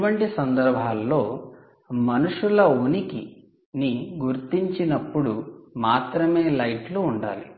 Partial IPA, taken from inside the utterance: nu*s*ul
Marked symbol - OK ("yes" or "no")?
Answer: no